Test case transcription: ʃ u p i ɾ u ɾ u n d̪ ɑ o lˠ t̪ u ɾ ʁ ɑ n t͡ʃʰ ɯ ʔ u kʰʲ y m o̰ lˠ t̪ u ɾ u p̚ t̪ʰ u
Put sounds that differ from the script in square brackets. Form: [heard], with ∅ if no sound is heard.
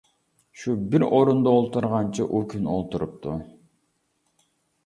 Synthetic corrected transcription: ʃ u [b] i ɾ [o] ɾ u n d̪ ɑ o lˠ t̪ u ɾ ʁ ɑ n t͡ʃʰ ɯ ʔ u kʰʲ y [n] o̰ lˠ t̪ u ɾ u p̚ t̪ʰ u